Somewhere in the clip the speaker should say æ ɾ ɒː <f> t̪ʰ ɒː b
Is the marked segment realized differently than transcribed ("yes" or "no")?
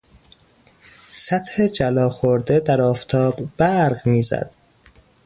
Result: no